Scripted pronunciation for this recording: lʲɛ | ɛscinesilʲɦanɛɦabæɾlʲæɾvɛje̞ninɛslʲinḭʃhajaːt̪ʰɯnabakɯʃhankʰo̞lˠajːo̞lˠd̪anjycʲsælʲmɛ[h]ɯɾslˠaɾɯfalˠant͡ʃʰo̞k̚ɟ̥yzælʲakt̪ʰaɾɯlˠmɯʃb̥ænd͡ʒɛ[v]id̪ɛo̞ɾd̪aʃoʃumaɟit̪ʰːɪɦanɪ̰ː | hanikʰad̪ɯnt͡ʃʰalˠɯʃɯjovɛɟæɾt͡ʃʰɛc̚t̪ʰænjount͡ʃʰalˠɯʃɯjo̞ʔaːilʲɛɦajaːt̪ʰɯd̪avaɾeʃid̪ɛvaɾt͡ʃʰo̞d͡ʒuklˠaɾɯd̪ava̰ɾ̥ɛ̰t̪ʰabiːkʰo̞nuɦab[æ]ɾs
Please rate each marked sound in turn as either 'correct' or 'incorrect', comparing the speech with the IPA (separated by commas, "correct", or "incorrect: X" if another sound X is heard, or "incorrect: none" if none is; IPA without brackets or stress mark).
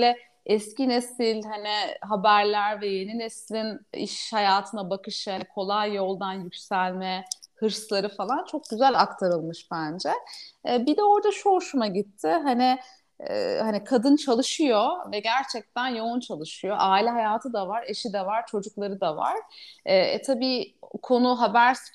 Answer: correct, incorrect: b, correct